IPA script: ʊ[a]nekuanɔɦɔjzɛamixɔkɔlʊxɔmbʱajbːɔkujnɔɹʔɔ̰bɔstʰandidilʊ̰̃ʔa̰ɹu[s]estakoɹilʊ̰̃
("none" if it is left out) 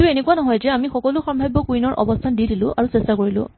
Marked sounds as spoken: e, s

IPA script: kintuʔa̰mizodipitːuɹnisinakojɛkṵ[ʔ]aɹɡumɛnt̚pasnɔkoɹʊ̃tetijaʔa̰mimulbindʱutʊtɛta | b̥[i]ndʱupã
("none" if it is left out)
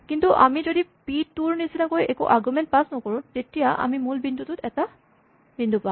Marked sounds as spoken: ʔ, i

